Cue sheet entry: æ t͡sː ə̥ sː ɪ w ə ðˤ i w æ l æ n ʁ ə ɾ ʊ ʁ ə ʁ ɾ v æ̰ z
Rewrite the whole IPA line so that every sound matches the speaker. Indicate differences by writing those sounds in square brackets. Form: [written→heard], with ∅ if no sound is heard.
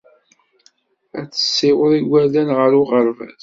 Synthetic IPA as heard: æ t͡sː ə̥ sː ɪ w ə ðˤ i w æ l æ n ʁ ə ɾ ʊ ʁ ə [ʁ→∅] ɾ v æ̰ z